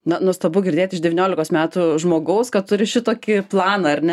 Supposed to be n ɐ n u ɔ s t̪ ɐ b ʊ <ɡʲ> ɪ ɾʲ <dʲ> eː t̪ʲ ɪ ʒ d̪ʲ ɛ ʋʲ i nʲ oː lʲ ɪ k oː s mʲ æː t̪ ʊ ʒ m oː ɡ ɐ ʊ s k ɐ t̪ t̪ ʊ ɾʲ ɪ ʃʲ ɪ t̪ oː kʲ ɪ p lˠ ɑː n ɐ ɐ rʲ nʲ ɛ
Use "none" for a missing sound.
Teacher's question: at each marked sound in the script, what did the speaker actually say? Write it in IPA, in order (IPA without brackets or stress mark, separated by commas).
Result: ɡʲ, dʲ